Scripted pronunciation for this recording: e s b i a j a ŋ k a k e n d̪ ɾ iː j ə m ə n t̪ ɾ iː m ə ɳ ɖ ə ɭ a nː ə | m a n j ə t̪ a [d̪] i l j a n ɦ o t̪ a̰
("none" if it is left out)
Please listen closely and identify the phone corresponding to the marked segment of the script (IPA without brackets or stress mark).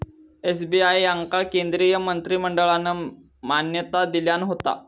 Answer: d̪